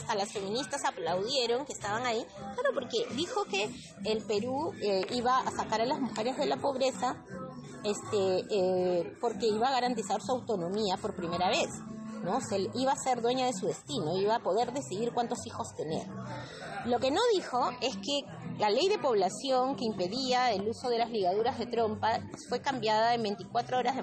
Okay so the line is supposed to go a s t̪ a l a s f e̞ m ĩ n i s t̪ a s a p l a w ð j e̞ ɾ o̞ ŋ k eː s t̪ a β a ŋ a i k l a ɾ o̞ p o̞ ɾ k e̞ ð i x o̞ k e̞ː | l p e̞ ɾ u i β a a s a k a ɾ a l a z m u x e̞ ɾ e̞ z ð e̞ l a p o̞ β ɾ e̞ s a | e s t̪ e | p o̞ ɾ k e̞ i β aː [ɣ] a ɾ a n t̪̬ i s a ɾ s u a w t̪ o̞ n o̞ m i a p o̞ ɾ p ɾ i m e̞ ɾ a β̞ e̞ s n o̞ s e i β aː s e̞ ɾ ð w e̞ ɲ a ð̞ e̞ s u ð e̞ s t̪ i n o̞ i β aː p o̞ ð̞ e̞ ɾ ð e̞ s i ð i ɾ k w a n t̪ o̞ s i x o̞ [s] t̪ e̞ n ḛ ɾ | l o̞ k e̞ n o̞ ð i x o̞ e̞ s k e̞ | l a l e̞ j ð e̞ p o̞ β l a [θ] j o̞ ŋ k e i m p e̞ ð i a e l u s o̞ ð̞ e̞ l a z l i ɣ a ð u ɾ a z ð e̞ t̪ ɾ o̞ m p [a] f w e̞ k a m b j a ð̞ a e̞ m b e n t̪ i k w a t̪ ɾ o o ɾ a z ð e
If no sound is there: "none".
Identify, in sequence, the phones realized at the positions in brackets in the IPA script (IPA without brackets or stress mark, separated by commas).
ɣ, s, s, a